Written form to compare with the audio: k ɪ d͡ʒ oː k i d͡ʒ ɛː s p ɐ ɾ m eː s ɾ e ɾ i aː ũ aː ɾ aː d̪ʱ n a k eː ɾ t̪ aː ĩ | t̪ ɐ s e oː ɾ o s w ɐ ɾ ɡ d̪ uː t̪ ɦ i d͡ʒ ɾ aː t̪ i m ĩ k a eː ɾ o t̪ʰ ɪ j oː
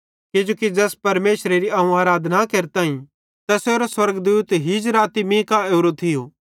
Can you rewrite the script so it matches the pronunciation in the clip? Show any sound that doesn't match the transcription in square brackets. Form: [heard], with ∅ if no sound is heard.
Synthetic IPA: k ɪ d͡ʒ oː k i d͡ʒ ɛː s p ɐ ɾ m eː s ɾ e ɾ i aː ũ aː ɾ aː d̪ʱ n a k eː ɾ t̪ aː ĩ | t̪ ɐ s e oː ɾ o s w ɐ ɾ ɡ d̪ uː t̪ ɦ i d͡ʒ ɾ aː t̪ i m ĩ k a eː ɾ o t̪ʰ ɪ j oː